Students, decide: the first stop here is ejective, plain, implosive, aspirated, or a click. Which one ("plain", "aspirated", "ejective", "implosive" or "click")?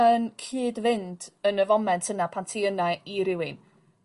aspirated